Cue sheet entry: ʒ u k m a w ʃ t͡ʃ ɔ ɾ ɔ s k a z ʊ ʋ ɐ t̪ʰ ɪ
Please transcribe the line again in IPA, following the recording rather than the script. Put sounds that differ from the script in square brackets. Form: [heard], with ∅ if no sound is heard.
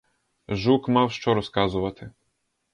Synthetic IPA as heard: ʒ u k m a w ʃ t͡ʃ ɔ ɾ ɔ s k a z ʊ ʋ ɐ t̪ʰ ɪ